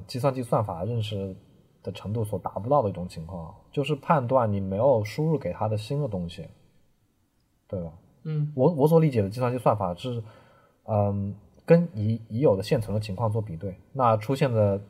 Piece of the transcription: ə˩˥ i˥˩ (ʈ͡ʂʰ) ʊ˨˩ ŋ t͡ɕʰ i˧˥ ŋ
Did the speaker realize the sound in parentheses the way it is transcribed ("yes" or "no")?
no